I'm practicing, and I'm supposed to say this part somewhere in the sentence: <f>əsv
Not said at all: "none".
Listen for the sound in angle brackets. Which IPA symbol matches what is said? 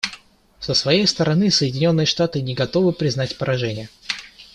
s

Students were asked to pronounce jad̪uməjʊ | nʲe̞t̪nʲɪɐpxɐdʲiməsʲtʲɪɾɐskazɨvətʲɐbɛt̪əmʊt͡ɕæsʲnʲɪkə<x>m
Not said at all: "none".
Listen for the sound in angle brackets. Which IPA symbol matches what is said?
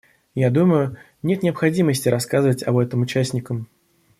none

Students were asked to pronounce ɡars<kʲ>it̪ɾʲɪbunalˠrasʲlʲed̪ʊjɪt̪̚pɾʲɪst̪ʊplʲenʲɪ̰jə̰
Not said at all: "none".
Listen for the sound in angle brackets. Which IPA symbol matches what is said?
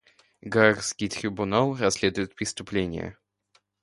kʲ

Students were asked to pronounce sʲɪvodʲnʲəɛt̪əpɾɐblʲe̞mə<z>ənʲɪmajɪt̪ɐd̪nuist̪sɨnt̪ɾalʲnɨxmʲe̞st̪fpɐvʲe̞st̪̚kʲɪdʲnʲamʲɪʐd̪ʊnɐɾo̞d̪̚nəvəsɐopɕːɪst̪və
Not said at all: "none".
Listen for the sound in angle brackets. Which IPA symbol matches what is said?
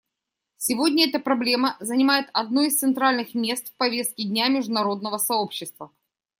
z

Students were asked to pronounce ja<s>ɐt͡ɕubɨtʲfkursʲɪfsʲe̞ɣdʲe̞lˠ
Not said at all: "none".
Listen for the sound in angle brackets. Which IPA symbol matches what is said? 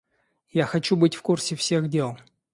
x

